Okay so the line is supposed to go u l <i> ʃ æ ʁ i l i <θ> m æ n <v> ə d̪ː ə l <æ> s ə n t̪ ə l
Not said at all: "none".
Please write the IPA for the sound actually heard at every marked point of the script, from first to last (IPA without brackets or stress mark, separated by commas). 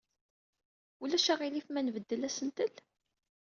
æ, f, v, æ